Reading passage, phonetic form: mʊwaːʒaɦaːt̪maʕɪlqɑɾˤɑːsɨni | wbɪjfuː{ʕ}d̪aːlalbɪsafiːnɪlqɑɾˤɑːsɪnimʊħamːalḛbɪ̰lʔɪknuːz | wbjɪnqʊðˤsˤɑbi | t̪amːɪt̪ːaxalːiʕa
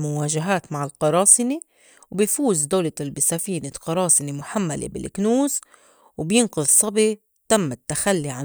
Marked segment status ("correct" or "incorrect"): incorrect